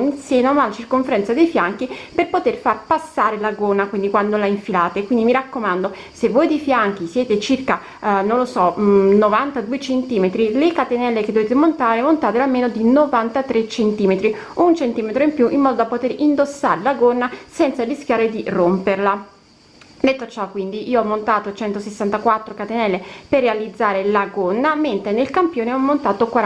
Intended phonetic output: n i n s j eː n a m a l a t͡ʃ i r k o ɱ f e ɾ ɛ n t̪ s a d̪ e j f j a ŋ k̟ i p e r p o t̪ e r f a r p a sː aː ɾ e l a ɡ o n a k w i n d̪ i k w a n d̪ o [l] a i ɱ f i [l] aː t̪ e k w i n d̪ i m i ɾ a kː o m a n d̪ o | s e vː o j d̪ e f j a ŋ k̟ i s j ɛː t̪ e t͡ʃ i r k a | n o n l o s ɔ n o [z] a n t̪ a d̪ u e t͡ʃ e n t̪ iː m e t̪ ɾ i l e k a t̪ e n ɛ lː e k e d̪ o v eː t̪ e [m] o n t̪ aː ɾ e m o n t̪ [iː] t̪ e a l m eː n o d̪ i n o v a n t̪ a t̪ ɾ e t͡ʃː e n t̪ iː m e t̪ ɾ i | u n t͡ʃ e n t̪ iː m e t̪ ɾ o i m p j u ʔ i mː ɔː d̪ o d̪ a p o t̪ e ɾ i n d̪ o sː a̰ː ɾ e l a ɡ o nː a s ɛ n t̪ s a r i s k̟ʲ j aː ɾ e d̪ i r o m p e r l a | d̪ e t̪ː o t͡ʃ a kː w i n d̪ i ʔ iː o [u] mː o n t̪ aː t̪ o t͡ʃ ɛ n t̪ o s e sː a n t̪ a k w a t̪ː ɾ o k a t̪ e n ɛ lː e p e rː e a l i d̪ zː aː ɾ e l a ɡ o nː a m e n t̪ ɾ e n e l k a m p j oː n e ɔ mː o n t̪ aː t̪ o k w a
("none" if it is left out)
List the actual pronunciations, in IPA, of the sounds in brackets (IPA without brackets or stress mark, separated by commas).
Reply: l, l, v, m, aː, ɔ